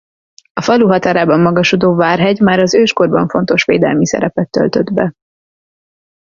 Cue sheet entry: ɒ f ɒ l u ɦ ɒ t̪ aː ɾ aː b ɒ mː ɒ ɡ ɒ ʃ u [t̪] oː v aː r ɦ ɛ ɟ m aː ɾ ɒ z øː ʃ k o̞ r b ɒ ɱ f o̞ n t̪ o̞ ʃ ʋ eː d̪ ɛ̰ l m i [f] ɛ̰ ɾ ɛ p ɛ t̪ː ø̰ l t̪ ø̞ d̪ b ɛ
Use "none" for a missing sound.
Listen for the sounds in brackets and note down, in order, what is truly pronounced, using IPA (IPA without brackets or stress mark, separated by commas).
d̪, s